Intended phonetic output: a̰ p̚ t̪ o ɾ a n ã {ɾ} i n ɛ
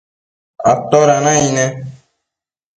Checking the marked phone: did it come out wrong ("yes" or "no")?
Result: yes